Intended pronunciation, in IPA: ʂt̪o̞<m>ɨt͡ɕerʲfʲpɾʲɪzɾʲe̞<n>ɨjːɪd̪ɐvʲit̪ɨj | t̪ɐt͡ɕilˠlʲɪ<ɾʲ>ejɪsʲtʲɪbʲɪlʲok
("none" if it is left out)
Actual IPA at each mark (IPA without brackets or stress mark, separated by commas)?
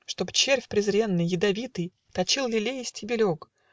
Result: b, nː, lʲ